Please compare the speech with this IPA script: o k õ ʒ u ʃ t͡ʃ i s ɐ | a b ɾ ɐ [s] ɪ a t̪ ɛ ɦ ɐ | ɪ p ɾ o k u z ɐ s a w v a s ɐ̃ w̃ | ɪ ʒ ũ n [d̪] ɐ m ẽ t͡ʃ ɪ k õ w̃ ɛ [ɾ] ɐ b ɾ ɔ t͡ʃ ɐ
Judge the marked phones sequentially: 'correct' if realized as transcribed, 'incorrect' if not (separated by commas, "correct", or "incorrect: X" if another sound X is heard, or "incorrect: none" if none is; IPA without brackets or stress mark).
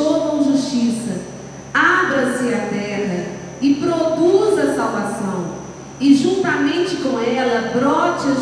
correct, incorrect: t̪, incorrect: l